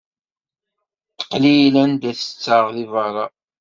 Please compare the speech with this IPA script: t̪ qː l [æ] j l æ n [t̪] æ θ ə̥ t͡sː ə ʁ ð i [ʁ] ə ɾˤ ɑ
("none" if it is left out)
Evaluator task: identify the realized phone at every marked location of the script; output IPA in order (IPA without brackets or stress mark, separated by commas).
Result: i, d̪, v